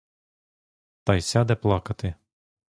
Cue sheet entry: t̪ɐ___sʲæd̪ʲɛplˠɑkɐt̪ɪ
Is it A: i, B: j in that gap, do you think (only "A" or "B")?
B